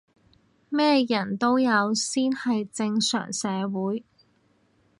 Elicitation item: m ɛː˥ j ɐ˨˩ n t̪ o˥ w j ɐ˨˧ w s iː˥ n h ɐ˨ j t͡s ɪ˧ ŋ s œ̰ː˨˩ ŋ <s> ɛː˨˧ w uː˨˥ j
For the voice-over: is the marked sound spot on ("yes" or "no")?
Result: yes